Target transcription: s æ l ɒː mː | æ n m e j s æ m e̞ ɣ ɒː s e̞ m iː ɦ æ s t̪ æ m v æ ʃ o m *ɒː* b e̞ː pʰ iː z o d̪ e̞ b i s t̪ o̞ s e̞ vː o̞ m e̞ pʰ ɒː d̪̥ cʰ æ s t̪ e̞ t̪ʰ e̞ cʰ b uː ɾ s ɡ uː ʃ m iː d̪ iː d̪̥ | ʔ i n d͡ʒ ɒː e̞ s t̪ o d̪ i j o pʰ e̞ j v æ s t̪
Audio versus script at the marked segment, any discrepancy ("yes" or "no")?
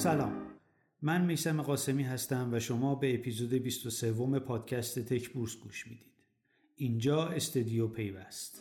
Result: no